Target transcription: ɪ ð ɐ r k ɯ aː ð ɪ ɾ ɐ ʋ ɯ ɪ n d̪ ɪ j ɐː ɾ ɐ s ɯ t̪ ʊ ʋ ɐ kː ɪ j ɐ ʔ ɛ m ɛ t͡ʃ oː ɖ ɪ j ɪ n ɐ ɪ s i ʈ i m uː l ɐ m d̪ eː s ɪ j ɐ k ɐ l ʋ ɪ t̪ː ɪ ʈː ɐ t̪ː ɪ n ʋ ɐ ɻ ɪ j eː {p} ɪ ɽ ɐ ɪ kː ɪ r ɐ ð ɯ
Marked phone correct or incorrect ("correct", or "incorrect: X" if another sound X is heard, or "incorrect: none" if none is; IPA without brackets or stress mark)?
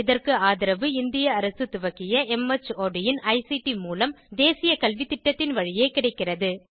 incorrect: k